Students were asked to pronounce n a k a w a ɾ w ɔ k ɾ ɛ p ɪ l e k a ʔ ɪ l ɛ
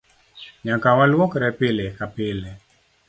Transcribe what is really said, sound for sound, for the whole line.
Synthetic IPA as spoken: ɲ a k a w a l w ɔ k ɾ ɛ p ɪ l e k a p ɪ l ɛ